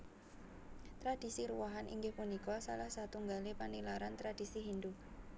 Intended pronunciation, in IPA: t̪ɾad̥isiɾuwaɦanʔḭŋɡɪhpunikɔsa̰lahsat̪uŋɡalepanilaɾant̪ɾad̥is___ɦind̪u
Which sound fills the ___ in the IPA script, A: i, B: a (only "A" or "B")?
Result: A